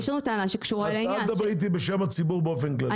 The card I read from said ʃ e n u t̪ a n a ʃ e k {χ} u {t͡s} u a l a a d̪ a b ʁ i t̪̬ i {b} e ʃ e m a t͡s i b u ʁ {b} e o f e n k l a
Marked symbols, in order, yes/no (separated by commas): no, no, yes, yes